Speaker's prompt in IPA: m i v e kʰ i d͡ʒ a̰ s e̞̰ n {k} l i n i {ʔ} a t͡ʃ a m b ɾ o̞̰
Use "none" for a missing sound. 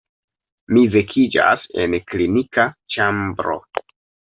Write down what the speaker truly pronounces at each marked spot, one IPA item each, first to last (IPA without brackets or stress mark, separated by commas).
k, k